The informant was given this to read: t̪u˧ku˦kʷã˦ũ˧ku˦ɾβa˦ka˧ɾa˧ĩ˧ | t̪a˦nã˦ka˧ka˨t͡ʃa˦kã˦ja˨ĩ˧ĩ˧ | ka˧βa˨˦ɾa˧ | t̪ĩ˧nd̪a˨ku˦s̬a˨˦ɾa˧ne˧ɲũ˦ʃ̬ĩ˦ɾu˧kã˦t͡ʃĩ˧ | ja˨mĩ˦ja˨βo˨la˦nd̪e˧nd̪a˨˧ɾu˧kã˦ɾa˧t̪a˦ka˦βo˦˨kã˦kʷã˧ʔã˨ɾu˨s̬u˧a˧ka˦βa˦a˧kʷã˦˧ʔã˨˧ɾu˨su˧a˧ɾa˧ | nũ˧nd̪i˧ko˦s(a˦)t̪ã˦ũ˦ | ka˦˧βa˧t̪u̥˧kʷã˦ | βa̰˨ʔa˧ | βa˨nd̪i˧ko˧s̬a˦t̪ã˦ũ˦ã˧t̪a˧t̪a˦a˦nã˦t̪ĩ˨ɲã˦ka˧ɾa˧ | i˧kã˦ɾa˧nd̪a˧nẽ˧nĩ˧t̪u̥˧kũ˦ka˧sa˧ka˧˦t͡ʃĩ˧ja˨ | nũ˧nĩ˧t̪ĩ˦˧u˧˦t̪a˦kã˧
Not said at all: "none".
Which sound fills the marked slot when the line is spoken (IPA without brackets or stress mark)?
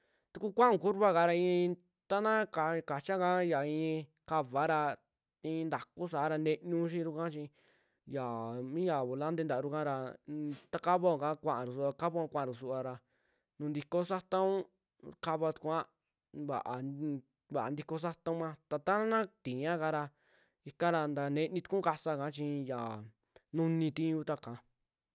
a˦